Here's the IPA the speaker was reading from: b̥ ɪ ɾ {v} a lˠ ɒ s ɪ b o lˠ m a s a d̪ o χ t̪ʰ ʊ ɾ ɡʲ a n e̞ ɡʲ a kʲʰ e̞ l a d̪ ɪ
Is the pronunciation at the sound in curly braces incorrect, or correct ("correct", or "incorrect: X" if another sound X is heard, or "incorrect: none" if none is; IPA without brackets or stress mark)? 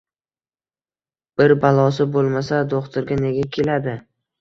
incorrect: b